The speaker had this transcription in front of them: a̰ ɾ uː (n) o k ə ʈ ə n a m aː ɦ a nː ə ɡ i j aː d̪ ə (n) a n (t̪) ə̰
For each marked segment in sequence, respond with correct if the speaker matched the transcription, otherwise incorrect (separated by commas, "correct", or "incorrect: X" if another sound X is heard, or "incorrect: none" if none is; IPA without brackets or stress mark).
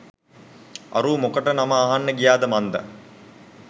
incorrect: m, incorrect: m, incorrect: d̪